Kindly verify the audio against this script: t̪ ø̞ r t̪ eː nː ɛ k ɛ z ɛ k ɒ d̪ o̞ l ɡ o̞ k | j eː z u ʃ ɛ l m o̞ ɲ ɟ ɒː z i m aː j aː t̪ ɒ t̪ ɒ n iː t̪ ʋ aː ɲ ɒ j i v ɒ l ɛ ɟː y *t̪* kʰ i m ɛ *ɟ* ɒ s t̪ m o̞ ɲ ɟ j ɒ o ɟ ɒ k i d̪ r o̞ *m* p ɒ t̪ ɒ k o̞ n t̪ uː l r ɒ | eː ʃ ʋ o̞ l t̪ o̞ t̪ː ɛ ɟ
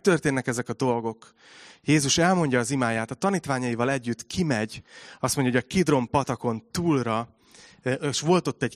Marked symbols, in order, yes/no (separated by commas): yes, yes, yes